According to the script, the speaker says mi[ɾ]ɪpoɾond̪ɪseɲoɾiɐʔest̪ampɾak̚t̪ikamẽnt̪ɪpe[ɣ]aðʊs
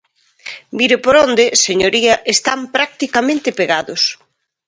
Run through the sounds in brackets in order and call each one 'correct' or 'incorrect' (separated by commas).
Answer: correct, correct